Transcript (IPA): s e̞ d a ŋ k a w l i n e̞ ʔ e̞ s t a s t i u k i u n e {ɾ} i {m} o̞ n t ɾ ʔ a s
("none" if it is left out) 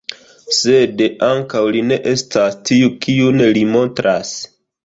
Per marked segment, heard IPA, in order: l, m

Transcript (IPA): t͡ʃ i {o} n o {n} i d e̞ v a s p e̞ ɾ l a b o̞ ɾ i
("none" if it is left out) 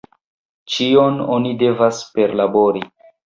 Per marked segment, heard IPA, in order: o, n

